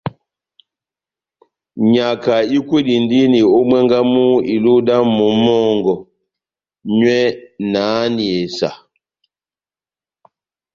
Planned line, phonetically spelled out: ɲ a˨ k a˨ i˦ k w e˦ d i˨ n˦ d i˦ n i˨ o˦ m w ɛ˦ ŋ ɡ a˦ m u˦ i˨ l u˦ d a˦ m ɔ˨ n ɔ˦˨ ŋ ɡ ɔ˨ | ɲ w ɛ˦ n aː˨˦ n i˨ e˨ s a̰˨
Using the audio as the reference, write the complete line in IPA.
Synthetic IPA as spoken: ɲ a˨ k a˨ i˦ k w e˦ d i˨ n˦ d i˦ n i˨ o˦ m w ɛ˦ ŋ ɡ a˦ m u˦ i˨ l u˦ d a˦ m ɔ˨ m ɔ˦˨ ŋ ɡ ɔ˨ | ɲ w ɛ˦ n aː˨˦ n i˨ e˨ s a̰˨